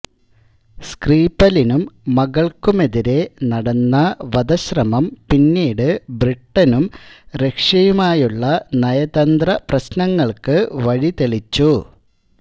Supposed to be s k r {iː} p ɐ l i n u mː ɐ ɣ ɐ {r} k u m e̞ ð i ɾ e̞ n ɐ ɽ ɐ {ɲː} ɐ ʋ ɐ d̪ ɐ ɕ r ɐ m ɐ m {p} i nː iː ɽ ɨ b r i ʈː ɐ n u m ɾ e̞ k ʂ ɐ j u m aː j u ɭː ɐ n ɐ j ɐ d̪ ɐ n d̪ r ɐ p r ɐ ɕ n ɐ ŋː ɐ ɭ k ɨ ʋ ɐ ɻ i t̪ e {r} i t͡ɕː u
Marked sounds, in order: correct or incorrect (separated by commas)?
correct, incorrect, incorrect, correct, incorrect